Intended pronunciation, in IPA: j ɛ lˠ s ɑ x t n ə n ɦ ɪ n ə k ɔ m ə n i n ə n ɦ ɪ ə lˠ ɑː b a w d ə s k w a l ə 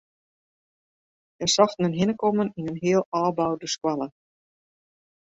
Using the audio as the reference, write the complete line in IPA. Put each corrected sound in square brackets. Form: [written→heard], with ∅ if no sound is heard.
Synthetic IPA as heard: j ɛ [lˠ→∅] s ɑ x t n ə n ɦ ɪ n ə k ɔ m ə n i n ə n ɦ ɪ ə lˠ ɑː b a w d ə s k w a l ə